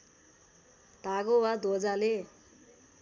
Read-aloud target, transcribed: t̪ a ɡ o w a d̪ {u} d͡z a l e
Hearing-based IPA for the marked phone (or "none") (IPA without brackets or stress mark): o